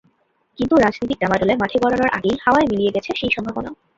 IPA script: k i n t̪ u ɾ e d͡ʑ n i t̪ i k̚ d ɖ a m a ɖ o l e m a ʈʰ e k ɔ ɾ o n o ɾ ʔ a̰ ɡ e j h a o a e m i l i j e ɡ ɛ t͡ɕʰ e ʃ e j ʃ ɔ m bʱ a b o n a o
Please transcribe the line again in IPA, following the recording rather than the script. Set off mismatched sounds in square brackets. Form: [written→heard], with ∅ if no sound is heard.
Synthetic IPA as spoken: k i n t̪ u ɾ [e→a] d͡ʑ n i t̪ i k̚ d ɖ a m a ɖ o l e m a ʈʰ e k ɔ ɾ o n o ɾ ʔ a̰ ɡ e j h a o a e m i l i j e ɡ ɛ t͡ɕʰ e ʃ e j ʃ ɔ m bʱ a b o n a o